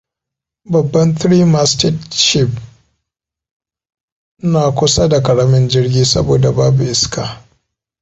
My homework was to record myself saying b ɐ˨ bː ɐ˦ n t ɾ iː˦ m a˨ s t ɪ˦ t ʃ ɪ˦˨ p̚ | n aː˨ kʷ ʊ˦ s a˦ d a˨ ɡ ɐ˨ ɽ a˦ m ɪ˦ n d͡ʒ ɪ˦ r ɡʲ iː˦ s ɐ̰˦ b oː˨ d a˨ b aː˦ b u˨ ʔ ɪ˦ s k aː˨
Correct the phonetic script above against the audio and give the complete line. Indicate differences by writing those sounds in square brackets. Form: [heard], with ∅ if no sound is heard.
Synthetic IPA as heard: b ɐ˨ bː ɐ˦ n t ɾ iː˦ m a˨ s t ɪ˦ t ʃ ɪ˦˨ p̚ | n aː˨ kʷ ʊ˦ s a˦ d a˨ [k] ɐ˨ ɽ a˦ m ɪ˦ n d͡ʒ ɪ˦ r ɡʲ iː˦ s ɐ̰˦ b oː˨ d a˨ b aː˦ b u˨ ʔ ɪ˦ s k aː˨